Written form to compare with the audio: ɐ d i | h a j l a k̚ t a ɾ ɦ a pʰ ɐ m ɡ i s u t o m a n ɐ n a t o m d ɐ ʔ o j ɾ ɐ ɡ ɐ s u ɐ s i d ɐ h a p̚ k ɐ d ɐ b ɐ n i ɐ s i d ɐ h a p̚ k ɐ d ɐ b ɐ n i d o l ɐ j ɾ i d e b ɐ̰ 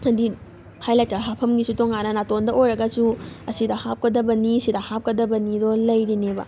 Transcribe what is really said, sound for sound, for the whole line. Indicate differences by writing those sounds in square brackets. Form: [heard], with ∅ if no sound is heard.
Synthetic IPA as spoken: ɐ d i | h a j l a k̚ t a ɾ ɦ a pʰ ɐ m ɡ i s u t o [ŋ] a n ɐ n a t o [n] d ɐ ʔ o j ɾ ɐ ɡ ɐ s u ɐ s i d ɐ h a p̚ k ɐ d ɐ b ɐ n i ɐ s i d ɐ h a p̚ k ɐ d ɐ b ɐ n i d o l ɐ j ɾ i [n] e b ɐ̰